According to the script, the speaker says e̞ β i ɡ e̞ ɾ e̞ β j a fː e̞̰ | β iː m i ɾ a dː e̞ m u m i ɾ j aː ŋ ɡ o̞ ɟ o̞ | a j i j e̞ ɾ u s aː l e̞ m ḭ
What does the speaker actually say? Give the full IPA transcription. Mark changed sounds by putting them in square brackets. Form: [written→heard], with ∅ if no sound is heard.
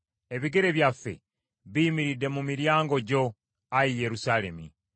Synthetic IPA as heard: e̞ β i ɡ e̞ ɾ e̞ β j a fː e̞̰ | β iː m i ɾ [a→i] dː e̞ m u m i ɾ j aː ŋ ɡ o̞ ɟ o̞ | a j i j e̞ ɾ u s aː l e̞ m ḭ